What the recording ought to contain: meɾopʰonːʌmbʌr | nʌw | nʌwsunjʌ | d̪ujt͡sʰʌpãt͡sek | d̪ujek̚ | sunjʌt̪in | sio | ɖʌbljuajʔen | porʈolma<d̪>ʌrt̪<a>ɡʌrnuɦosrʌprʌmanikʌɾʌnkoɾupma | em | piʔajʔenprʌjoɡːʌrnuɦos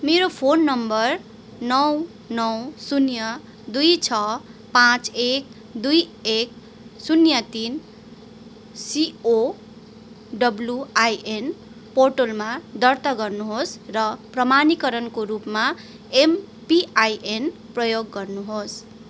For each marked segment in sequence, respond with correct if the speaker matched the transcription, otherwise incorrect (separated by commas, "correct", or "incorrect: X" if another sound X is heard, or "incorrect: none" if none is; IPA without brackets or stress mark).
correct, incorrect: ʌ